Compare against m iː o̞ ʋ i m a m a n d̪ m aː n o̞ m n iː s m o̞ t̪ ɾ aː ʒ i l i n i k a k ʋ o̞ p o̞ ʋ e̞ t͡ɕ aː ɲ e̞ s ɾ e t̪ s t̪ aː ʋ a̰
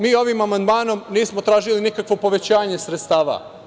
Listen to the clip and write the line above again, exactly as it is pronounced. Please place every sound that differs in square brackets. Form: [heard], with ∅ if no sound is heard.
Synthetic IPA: m iː o̞ ʋ i m a m a n d̪ m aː n o̞ m n iː s m o̞ t̪ ɾ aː ʒ i l i n i k a k ʋ o̞ p o̞ ʋ e̞ t͡ɕ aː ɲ e̞ s ɾ e t̪ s t̪ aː ʋ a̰